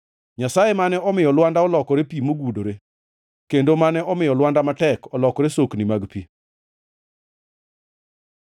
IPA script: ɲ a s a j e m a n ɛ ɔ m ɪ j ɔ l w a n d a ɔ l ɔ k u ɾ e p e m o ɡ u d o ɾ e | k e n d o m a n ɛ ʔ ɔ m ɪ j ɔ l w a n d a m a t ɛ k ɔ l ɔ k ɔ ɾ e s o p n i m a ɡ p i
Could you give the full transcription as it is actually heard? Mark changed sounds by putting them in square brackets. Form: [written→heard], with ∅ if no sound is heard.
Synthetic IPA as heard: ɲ a s a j e m a n ɛ ɔ m ɪ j ɔ l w a n d a ɔ l ɔ k [u→ɔ] ɾ e p [e→i] m o ɡ u d o ɾ e | k e n d o m a n ɛ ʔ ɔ m ɪ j ɔ l w a n d a m a t ɛ k ɔ l ɔ k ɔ ɾ e s o [p→k] n i m a ɡ p i

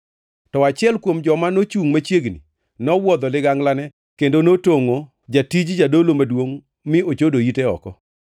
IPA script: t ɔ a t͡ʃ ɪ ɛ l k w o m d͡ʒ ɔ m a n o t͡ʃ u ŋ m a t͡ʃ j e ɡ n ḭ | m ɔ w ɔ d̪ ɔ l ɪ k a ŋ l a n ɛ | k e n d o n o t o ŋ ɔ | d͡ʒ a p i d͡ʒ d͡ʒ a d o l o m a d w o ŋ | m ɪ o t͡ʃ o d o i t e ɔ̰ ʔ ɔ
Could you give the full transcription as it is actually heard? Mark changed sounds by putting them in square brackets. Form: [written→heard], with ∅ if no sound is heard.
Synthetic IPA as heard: t ɔ a t͡ʃ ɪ ɛ l k w o m d͡ʒ ɔ m a n o t͡ʃ u ŋ m a t͡ʃ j e ɡ n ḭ | [m→n] ɔ w ɔ d̪ ɔ l ɪ [k→ɡ] a ŋ l a n ɛ | k e n d o n o t o ŋ [ɔ→o] | d͡ʒ a [p→t] i d͡ʒ d͡ʒ a d o l o m a d w o ŋ | m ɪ o t͡ʃ o d o i t e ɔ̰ [ʔ→k] ɔ

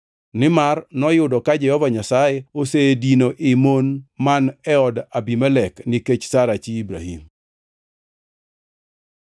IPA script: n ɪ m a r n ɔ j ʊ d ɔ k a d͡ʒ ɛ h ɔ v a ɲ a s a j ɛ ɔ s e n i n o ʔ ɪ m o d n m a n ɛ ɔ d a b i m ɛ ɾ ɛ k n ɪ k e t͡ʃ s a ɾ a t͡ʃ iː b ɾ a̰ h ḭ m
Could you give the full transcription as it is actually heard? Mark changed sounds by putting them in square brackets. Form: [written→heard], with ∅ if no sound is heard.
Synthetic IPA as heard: n ɪ m a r n ɔ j ʊ d ɔ k a d͡ʒ ɛ h ɔ v a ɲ a s a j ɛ [ɔ→o] s e [n→d] i n o ʔ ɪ m o [d→∅] n m a n ɛ ɔ d a b i m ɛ [ɾ→l] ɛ k n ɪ k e t͡ʃ s a ɾ a t͡ʃ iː b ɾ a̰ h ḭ m

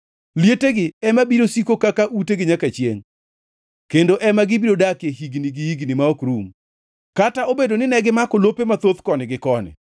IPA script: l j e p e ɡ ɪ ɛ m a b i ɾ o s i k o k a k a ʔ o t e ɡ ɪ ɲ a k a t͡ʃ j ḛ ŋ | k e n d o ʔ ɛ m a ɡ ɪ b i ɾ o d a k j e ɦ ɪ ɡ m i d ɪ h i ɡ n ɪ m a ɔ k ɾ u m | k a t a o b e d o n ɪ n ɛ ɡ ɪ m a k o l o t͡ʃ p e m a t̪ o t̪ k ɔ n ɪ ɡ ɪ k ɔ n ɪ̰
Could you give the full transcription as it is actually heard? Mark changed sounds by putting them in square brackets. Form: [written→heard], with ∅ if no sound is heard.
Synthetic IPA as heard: l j e [p→t] e ɡ ɪ ɛ m a b i ɾ o s i k o k a k a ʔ [o→u] t e ɡ ɪ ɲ a k a t͡ʃ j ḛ ŋ | k e n d o ʔ ɛ m a ɡ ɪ b i ɾ o d a k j e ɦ [ɪ→i] ɡ [m→n] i [d→ɡ] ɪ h i ɡ n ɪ m a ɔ k ɾ u m | k a t a o b e d o n ɪ n ɛ ɡ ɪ m a k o l o [t͡ʃ→∅] p e m a t̪ o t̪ k ɔ n ɪ ɡ ɪ k ɔ n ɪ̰

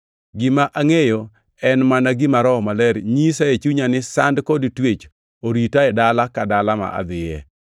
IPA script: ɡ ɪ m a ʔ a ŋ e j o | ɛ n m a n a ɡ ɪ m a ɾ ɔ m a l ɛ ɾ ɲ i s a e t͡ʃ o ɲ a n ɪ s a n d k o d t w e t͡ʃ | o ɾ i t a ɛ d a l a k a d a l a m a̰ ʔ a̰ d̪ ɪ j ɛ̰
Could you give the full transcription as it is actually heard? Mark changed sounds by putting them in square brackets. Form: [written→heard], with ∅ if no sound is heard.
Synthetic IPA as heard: ɡ ɪ m a ʔ a ŋ e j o | ɛ n m a n a ɡ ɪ m a ɾ ɔ m a l ɛ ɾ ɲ i s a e t͡ʃ [o→u] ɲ a n ɪ s a n d k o d t w e t͡ʃ | o ɾ i t a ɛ d a l a k a d a l a m a̰ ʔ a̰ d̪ ɪ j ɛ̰

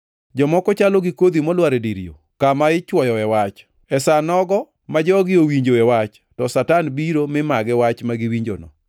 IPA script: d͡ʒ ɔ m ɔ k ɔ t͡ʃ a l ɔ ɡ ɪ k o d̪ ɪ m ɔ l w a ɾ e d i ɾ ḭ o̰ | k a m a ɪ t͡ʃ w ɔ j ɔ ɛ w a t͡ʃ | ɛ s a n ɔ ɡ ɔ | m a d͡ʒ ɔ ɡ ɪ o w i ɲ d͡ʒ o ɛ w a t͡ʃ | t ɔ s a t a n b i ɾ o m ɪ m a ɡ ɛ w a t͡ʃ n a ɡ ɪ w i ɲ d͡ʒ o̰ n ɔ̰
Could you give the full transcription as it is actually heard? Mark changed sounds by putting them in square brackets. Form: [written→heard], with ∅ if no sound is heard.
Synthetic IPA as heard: d͡ʒ ɔ m ɔ k ɔ t͡ʃ a l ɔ ɡ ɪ k o d̪ [ɪ→i] m ɔ l w a ɾ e d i ɾ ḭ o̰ | k a m a ɪ t͡ʃ w ɔ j ɔ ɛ w a t͡ʃ | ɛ s a n ɔ ɡ ɔ | m a d͡ʒ ɔ ɡ ɪ o w i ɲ d͡ʒ o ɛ w a t͡ʃ | t ɔ s a t a n b i ɾ o m ɪ m a ɡ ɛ w a t͡ʃ [n→m] a ɡ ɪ w i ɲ d͡ʒ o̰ n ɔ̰

